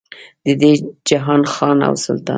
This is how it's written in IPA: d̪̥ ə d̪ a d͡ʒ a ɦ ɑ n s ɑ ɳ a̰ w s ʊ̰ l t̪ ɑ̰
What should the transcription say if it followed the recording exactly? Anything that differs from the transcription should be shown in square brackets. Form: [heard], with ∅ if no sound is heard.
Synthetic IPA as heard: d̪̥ ə d̪ [e] d͡ʒ a ɦ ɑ n [x] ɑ [n] a̰ w s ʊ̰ l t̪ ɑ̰

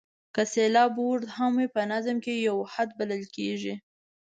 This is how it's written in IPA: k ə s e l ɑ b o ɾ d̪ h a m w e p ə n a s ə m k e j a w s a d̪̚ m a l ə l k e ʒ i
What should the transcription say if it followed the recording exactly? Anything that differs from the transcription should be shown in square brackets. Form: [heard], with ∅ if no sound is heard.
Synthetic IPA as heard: k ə s e l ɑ b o ɾ d̪ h a m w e p ə n a [z] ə m k e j a w [h] a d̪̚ [b] a l ə l k e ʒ i

